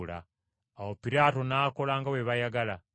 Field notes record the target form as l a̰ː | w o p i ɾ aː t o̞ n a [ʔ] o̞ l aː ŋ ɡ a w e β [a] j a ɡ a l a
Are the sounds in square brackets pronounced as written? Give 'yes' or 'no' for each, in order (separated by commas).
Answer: no, yes